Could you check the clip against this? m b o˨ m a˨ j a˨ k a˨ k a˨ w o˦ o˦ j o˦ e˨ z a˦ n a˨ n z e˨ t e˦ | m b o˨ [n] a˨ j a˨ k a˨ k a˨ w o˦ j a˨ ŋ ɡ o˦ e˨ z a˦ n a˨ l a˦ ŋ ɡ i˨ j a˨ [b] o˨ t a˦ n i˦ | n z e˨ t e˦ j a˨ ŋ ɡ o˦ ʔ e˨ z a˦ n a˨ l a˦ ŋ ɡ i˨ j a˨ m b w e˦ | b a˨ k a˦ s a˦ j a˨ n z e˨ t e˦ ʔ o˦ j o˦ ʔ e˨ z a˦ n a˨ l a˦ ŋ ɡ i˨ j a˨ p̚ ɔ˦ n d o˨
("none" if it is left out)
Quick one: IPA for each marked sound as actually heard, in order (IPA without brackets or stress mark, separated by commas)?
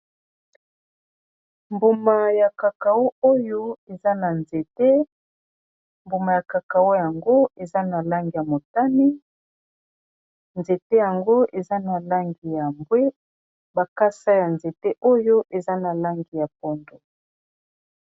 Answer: m, m